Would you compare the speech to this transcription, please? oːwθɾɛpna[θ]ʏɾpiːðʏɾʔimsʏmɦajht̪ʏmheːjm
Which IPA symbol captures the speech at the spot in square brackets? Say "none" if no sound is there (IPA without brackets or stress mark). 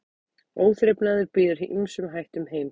ð